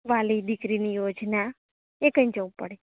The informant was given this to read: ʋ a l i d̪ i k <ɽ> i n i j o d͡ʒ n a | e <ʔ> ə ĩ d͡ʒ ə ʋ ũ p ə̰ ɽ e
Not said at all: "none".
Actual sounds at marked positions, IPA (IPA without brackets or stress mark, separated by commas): ɾ, k